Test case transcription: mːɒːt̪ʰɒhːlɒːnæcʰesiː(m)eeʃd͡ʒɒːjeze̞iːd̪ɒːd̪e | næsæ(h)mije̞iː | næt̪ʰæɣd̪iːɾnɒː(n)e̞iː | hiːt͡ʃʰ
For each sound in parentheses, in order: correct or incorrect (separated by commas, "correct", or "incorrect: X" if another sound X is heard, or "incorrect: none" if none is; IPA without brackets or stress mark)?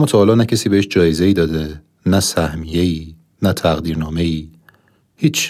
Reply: incorrect: b, correct, incorrect: m